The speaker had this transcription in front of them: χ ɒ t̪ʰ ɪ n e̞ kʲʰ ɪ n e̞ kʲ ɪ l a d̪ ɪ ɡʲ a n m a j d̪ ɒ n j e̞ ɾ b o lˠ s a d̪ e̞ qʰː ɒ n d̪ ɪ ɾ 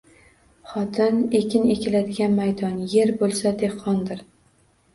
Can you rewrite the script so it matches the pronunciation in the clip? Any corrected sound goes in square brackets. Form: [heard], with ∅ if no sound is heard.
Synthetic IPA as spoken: χ ɒ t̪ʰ ɪ n e̞ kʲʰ ɪ n e̞ kʲ ɪ l a d̪ ɪ ɡʲ a n m a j d̪ ɒ n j e̞ ɾ b o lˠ s a d̪ e̞ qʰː ɒ n d̪ ɪ ɾ